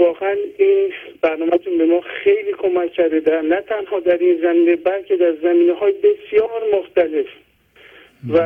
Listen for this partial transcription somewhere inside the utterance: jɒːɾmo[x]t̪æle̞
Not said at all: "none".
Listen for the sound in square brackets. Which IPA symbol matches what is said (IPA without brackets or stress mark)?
x